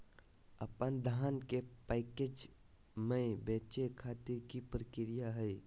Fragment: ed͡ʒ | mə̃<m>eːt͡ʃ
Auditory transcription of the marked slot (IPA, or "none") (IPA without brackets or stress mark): b